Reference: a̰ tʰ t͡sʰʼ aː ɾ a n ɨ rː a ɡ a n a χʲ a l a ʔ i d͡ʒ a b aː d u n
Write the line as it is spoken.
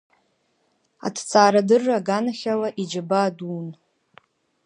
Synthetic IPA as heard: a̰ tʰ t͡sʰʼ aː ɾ a d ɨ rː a ɡ a n a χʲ a l a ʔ i d͡ʒ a b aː d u n

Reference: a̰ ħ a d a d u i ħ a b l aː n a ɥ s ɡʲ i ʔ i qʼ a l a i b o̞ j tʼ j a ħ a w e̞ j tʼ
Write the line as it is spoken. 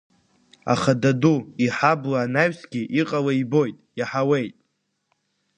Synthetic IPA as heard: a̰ χ a d a d u i ħ a b l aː n a ɥ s ɡʲ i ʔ i qʼ a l a i b o̞ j tʼ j a ħ a w e̞ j tʼ

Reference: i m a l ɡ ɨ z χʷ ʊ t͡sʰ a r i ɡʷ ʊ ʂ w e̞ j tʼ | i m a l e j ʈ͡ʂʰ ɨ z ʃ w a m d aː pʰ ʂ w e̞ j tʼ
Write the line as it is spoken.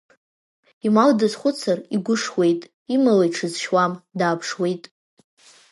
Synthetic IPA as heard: i m a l d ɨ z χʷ ʊ t͡sʰ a r i ɡʷ ʊ ʂ w e̞ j tʼ | i m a l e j ʈ͡ʂʰ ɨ z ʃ w a m d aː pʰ ʂ w e̞ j tʼ

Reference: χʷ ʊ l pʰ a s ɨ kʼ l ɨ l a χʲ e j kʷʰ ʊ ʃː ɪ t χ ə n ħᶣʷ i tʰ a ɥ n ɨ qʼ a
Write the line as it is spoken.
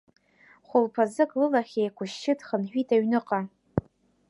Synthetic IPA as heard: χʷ ʊ l pʰ a z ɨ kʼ l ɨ l a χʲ e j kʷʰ ʊ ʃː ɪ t χ ə n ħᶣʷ i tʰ a ɥ n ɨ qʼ a

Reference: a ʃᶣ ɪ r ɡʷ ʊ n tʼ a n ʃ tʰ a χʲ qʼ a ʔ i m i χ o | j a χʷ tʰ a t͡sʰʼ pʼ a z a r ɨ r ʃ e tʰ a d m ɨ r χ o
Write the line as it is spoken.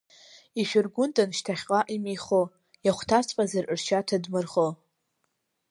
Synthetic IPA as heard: i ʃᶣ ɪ r ɡʷ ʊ n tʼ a n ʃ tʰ a χʲ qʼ a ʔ i m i χ o | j a χʷ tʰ a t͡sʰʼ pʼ a z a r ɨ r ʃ a tʰ a d m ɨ r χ o

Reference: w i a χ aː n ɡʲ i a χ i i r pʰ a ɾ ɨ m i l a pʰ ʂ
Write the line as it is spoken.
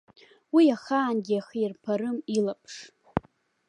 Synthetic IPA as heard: w i a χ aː n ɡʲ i a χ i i r pʰ a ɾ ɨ m i l a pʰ ʂ

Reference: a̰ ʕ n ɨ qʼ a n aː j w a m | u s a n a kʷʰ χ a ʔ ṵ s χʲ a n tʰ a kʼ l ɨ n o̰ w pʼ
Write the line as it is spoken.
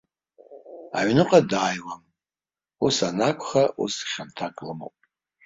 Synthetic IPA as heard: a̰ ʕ n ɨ qʼ a d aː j w a m | u s a n a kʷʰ χ a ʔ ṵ s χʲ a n tʰ a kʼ l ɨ m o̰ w pʼ

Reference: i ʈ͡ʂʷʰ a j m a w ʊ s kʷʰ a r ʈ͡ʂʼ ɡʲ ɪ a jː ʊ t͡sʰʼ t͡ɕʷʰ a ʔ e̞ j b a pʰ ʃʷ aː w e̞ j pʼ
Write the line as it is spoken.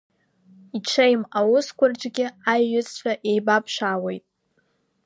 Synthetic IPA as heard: i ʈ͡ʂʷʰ e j m a w ʊ s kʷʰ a r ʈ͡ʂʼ ɡʲ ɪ a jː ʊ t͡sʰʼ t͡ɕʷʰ a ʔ e̞ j b a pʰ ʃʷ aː w e̞ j tʼ

